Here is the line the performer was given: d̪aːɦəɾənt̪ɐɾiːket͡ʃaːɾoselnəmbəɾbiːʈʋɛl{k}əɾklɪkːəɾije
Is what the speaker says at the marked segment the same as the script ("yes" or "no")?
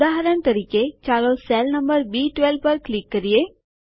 no